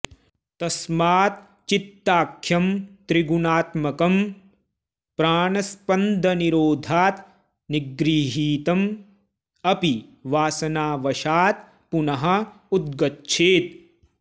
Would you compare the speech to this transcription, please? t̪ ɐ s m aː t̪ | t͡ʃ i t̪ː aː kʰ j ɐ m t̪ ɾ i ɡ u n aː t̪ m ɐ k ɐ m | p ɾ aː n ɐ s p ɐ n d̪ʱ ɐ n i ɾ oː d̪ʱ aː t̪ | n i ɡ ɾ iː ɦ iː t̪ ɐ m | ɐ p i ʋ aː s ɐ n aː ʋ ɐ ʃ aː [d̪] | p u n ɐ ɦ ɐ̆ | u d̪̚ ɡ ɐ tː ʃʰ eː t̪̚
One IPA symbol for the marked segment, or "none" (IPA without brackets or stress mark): t̪